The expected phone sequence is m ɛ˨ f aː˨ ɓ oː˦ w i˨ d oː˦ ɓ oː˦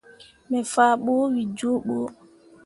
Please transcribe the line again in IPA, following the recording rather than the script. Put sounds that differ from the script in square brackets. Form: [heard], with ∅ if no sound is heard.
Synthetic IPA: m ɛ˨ f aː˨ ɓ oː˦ w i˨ [d͡ʒ] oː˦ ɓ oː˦